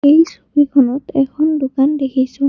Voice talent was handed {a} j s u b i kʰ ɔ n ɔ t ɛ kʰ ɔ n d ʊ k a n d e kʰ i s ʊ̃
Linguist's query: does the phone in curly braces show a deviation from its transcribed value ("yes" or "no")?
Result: yes